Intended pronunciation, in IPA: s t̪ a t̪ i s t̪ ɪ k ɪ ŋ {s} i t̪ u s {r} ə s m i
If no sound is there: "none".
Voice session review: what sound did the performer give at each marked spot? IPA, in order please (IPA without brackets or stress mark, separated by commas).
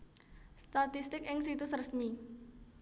s, r